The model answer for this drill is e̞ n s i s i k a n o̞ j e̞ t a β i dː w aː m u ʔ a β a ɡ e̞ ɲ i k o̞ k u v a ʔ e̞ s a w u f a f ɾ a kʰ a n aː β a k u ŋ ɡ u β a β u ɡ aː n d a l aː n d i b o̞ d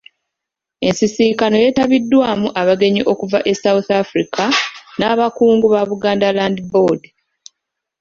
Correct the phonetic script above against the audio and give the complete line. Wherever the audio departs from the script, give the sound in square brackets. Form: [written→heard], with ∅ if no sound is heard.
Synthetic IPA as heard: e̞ n s i s i k a n o̞ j e̞ t a β i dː w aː m u ʔ a β a ɡ e̞ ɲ i [k→ʔ] o̞ k u v a ʔ e̞ s a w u [f→θ] a f ɾ [a→i] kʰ a n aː β a k [u→uː] ŋ ɡ u β a β u ɡ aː n d a l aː n d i b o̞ d